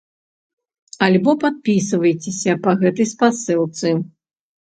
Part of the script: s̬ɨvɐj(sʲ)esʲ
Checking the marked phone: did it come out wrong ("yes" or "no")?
yes